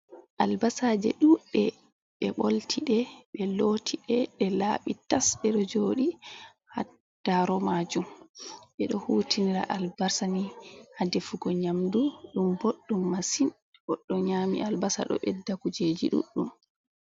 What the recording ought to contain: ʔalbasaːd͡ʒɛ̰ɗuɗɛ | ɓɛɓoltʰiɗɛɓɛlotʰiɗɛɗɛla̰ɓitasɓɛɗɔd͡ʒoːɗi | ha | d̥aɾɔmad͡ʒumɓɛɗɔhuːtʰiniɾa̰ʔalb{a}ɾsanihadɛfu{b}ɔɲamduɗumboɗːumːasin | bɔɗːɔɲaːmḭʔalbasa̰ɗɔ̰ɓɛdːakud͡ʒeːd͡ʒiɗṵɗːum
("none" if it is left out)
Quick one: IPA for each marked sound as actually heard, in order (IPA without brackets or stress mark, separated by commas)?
a, ɡ